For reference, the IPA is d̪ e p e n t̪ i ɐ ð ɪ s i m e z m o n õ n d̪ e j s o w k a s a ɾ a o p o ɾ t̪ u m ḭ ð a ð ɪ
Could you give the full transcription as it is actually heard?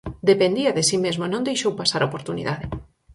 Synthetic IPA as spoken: d̪ e p e n d̪ i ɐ ð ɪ s i m e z m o n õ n d̪ e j ʃ o w p a s a ɾ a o p o ɾ t̪ u n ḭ ð a ð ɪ